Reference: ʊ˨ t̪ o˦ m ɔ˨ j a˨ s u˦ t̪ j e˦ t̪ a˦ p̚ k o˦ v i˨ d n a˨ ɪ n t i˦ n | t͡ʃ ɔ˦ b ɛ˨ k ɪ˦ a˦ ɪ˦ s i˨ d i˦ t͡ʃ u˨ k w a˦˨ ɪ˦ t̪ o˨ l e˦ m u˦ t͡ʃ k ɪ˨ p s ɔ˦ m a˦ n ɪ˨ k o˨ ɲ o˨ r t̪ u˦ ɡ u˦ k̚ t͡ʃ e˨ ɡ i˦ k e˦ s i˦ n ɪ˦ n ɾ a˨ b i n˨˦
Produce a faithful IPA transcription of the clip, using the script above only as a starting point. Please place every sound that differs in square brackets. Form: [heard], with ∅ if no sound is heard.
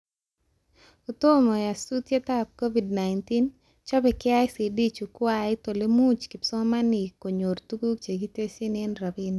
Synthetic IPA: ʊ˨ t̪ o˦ m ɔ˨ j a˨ s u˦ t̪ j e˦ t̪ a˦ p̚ k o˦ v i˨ d n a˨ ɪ n t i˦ n | t͡ʃ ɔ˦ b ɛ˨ k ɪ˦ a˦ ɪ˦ s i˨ d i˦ t͡ʃ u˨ k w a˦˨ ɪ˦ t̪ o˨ l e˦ m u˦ t͡ʃ k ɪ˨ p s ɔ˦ m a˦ n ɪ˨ k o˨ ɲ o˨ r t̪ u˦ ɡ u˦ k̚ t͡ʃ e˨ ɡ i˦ [t] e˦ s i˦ n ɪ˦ n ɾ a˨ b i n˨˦